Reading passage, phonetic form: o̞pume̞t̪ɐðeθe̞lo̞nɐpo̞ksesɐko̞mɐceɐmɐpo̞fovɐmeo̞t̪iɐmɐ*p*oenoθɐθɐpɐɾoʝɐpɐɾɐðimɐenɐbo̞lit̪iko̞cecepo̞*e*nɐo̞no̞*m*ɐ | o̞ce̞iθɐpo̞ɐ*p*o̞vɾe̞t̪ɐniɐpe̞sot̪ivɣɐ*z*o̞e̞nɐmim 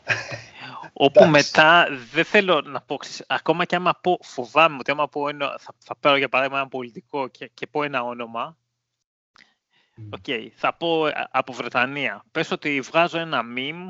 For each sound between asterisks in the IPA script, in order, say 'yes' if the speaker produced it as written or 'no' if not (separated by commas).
yes, yes, yes, yes, yes